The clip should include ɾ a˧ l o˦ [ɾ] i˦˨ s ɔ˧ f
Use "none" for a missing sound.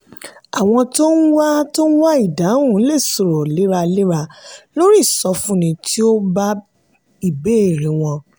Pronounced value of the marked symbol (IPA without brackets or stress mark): ɾ